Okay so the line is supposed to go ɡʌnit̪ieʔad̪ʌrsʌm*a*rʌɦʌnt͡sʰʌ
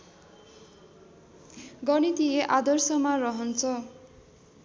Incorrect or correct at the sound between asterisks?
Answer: correct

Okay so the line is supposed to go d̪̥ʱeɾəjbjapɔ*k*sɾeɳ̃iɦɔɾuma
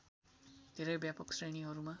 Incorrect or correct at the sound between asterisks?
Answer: correct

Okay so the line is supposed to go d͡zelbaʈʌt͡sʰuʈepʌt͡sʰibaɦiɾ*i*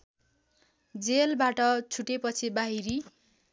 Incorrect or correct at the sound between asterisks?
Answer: correct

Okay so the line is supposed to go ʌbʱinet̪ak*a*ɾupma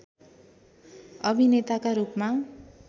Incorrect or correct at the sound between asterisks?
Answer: correct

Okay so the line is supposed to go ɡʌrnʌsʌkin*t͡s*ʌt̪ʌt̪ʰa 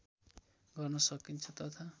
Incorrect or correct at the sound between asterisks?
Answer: incorrect: t͡sʰ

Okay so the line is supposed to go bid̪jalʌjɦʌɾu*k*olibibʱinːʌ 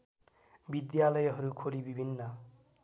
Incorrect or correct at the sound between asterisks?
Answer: incorrect: kʰ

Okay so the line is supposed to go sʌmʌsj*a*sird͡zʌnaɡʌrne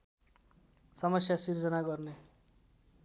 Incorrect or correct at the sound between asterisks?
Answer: correct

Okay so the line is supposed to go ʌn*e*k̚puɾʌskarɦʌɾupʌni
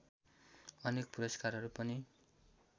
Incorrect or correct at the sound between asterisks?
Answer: correct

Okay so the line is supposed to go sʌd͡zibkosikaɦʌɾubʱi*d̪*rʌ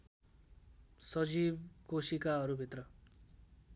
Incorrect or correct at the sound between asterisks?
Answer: incorrect: t̪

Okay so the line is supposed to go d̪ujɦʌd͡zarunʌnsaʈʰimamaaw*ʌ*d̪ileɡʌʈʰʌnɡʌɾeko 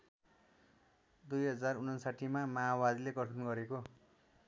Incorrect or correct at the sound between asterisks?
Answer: incorrect: a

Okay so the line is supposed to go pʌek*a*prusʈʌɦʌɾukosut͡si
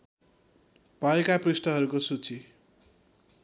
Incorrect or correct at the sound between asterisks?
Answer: correct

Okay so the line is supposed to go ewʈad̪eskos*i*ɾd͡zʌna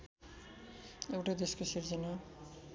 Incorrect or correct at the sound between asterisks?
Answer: correct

